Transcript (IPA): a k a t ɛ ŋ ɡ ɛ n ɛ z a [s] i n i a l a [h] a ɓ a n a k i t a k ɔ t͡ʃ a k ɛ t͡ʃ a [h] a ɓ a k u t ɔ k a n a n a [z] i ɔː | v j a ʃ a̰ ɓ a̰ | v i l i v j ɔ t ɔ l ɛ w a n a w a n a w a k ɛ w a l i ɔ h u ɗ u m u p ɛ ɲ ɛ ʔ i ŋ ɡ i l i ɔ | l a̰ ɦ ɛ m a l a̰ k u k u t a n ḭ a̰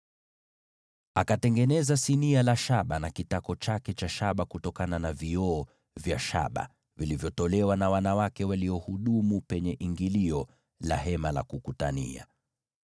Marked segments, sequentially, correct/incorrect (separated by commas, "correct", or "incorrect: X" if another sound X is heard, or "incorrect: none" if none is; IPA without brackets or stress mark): correct, incorrect: ʃ, incorrect: ʃ, incorrect: v